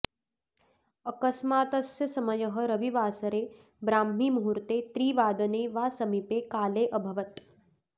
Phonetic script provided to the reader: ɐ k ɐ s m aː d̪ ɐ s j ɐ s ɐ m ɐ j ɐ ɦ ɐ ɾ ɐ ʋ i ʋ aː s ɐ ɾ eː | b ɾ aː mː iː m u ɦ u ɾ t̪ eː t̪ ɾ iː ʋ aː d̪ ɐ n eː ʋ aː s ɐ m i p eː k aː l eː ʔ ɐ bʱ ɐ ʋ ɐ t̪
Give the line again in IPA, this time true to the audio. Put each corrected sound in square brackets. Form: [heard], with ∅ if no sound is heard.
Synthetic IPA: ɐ k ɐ s m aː [t̪] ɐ s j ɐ s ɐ m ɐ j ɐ ɦ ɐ ɾ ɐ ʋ i ʋ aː s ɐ ɾ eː | b ɾ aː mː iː m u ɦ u ɾ t̪ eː t̪ ɾ iː ʋ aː d̪ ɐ n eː ʋ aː s ɐ m i p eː k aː l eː ʔ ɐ bʱ ɐ ʋ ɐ t̪